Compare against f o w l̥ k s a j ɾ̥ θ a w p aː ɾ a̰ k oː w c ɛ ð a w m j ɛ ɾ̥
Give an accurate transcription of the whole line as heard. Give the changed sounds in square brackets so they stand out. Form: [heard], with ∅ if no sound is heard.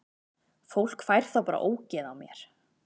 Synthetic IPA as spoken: f o w l̥ k [f] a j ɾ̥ θ a w p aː ɾ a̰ [ʔ] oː w c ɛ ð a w m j ɛ ɾ̥

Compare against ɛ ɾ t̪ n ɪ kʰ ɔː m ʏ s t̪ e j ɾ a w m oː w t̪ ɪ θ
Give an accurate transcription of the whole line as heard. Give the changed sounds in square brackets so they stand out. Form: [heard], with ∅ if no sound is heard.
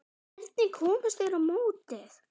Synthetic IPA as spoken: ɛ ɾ t̪ n ɪ kʰ ɔː m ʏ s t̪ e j ɾ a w m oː w t̪ ɪ θ

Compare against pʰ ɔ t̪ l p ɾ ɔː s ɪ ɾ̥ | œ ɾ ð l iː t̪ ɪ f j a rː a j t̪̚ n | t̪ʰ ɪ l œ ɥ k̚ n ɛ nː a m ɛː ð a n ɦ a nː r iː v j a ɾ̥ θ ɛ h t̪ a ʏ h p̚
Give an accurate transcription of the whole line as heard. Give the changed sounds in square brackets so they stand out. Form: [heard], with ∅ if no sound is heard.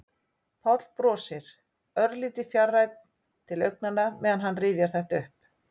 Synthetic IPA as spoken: pʰ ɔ t̪ l p ɾ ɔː s ɪ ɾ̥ | œ ɾ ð l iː t̪ ɪ f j a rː a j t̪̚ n | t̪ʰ ɪ l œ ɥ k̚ n [a] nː a m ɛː ð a n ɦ a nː r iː v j a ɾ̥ θ ɛ h t̪ a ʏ h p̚

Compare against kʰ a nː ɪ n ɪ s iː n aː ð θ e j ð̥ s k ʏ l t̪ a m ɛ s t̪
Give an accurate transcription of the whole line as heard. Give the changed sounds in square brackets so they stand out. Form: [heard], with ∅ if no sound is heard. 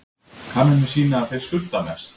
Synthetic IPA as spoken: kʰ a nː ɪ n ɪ s iː n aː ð θ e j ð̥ s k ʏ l t̪ a m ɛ s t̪

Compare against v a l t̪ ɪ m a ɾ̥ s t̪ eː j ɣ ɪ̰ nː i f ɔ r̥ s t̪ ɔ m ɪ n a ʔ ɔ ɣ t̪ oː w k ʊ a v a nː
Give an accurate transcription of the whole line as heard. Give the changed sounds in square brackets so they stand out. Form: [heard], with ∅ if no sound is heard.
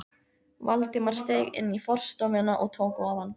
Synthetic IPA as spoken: v a l t̪ ɪ m a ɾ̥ s t̪ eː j ɣ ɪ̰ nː i f ɔ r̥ s t̪ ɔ m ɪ n a ʔ ɔ ɣ [t̪ʰ] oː w k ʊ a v a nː

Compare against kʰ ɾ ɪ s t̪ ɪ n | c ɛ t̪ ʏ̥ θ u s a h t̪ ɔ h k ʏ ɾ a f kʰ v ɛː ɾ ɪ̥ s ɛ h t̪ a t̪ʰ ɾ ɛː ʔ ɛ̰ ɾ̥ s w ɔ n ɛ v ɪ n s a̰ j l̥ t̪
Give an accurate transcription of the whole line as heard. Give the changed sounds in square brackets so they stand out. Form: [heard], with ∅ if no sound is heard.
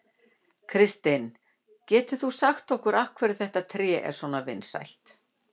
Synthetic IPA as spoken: kʰ ɾ ɪ s t̪ ɪ n | c [ɛː] t̪ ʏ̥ θ u s a [x] t̪ ɔ h k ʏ ɾ a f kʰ v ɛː ɾ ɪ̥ [θ] ɛ h t̪ a t̪ʰ ɾ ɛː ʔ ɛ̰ ɾ̥ s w ɔ n [a] v ɪ n s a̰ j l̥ t̪

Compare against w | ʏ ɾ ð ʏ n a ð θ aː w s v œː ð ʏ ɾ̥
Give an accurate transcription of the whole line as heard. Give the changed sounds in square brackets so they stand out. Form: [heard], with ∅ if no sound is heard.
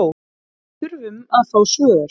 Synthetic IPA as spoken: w | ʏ ɾ [v] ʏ [m] a ð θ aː w s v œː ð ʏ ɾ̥

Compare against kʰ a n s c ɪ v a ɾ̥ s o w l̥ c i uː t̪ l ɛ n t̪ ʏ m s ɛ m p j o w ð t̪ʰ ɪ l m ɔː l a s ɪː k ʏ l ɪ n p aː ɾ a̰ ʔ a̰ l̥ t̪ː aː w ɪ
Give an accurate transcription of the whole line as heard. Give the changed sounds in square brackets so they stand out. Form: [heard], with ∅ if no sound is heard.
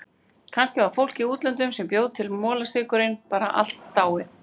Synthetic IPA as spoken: kʰ a n s c ɪ v a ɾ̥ [f] o w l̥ c i uː t̪ l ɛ n t̪ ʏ m s ɛ m p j o w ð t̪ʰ ɪ l m ɔː l a s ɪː k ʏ [ɾ] ɪ n p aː ɾ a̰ ʔ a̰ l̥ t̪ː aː w ɪ

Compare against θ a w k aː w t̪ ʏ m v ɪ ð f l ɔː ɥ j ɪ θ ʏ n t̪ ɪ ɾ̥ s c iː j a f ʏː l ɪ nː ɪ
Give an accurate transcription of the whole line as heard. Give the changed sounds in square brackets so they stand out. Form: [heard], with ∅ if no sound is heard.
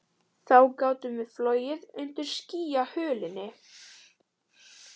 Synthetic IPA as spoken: θ a w k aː w t̪ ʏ m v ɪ ð f l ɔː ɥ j ɪ [ð] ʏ n t̪ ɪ ɾ̥ s c iː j a [h] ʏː l ɪ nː ɪ

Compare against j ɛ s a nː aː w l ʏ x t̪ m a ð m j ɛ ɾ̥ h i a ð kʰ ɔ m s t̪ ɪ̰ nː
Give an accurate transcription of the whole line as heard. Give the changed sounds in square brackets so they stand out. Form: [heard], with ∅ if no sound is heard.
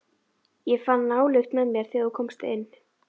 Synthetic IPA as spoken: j ɛ [f] a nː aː w l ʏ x t̪ m [ɛ] ð m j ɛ ɾ̥ [θ] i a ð kʰ ɔ m s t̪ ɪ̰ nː

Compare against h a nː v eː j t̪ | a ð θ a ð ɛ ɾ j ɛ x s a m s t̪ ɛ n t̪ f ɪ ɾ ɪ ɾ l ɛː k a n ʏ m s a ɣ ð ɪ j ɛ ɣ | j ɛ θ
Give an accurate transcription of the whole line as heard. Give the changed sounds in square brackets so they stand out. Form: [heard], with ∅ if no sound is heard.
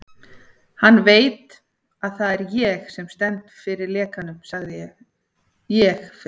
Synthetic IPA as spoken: h a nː v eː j t̪ | a ð θ a ð ɛ ɾ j ɛ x s [ɛ] m s t̪ ɛ n t̪ f ɪ ɾ ɪ ɾ l ɛː k a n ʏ m s a ɣ ð ɪ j ɛ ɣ | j ɛ [x]

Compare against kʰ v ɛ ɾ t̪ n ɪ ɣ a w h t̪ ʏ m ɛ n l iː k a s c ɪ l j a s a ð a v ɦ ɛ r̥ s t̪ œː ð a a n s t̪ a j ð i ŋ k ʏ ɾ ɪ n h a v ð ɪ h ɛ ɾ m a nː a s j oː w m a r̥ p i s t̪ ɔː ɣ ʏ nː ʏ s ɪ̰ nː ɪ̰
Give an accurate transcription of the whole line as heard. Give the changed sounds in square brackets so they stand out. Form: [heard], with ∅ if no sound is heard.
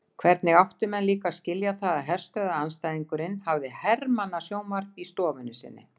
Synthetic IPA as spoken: kʰ v ɛ ɾ t̪ n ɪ ɣ a w h t̪ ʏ m ɛ n l iː k a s c ɪ l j a [θ] a ð a [ð] ɦ ɛ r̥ s t̪ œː ð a a n s t̪ a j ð i ŋ k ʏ ɾ ɪ n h a v ð ɪ h ɛ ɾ m a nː a s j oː w m a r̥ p i s t̪ ɔː [v] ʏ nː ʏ s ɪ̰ nː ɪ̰

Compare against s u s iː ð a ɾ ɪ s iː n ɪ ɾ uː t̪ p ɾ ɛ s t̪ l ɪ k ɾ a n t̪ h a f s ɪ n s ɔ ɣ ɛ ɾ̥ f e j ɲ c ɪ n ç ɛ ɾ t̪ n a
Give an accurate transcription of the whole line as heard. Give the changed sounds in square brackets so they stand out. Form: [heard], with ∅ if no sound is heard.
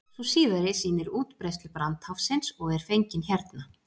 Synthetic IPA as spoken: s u s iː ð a ɾ ɪ s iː n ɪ ɾ uː t̪ p ɾ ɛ s t̪ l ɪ [p] ɾ a n t̪ h a f s ɪ n s ɔ ɣ ɛ ɾ̥ f e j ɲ c ɪ n ç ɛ ɾ t̪ n a

